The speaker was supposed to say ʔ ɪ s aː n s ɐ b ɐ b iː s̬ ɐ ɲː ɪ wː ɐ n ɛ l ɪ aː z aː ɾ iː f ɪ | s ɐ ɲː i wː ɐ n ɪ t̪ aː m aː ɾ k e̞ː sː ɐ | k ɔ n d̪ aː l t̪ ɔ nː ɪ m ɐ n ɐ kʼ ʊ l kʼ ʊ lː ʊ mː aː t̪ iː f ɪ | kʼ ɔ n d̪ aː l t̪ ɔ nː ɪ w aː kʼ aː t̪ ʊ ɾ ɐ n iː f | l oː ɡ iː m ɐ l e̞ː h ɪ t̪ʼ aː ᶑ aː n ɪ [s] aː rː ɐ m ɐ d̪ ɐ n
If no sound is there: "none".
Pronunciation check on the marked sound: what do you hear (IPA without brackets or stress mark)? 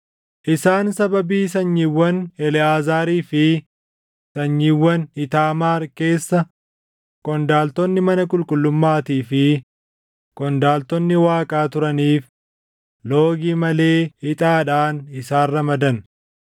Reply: s